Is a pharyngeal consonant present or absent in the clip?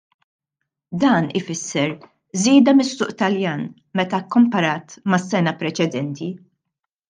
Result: absent